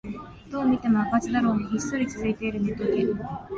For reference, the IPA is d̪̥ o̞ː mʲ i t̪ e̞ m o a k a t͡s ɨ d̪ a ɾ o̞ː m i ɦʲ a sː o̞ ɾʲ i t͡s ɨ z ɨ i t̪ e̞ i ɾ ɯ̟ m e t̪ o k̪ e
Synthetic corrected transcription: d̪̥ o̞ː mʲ i t̪ e̞ m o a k a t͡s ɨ d̪ a ɾ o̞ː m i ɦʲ i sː o̞ ɾʲ i t͡s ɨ z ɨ i t̪ e̞ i ɾ ɯ̟ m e t̪ o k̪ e

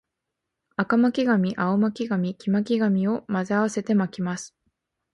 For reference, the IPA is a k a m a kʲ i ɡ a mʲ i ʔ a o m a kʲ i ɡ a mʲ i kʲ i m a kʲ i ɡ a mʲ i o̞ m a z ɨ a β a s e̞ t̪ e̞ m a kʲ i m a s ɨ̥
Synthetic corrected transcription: a k a m a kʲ i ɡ a mʲ i ʔ a o m a kʲ i ɡ a mʲ i kʲ i m a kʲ i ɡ a mʲ i o̞ m a z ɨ a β a s e̞ t̪ e̞ m a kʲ i m a s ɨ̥

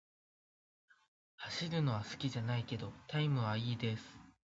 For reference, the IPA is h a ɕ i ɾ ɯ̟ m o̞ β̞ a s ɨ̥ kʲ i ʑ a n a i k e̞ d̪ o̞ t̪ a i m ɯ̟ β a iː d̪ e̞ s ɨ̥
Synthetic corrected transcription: h a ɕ i ɾ ɯ̟ n o̞ β̞ a s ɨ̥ kʲ i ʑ a n a i k e̞ d̪ o̞ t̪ a i m ɯ̟ β a iː d̪ e̞ s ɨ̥

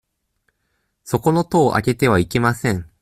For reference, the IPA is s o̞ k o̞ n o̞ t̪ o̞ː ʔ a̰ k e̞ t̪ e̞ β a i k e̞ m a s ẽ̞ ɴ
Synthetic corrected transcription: s o̞ k o̞ n o̞ t̪ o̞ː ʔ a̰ k e̞ t̪ e̞ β a i k e̞ m a s ẽ̞ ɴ

